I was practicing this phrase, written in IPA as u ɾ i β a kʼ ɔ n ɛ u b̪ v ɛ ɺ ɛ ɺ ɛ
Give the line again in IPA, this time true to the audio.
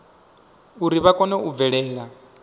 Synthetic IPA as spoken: u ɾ i β a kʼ ɔ n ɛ u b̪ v ɛ ɺ ɛː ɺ a